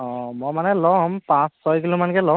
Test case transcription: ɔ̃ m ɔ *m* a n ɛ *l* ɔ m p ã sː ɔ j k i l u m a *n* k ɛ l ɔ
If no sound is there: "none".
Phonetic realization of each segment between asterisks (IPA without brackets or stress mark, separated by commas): m, l, n